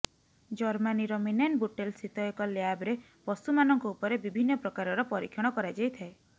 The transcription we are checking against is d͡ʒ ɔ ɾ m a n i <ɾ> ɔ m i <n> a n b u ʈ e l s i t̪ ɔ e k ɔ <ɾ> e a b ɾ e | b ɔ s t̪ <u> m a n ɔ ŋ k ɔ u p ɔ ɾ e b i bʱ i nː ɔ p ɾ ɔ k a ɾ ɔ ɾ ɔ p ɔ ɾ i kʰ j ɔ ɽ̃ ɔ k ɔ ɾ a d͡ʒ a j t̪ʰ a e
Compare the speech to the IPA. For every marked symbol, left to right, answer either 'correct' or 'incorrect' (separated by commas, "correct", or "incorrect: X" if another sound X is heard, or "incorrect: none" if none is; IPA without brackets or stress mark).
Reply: correct, correct, incorrect: l, correct